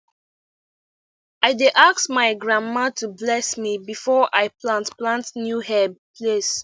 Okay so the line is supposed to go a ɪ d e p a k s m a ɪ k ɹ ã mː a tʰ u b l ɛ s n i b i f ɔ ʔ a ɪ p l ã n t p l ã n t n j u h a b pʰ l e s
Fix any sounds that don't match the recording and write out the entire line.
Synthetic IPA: a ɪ d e ʔ a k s m a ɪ ɡ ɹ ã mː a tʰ u b l ɛ s m i b i f ɔ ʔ a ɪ p l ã n t p l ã n t n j u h ɛ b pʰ l e s